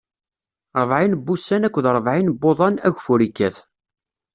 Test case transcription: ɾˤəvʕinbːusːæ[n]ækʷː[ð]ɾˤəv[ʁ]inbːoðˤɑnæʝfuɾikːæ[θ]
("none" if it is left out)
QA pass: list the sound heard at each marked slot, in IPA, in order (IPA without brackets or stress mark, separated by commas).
n, ð, ʕ, θ